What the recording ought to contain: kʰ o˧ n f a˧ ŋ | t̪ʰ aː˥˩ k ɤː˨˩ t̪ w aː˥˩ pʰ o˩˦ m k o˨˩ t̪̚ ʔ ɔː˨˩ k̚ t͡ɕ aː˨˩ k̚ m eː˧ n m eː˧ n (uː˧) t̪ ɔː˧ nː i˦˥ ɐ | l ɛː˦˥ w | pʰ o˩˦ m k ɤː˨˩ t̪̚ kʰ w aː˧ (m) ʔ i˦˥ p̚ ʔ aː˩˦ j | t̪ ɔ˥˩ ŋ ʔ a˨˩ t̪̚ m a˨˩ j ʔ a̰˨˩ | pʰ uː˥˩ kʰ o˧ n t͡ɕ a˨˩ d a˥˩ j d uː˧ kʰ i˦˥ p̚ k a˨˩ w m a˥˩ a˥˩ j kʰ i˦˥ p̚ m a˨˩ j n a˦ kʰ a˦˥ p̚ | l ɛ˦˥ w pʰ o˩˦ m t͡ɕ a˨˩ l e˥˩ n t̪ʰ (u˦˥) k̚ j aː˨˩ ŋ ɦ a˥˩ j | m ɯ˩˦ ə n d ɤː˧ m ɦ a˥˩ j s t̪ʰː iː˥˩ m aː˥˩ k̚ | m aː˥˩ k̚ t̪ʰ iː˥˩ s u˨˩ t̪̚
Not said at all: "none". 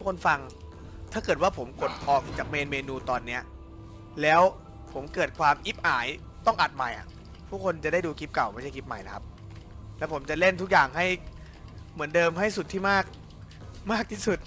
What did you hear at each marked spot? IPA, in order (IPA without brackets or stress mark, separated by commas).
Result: uː˧, m, u˦˥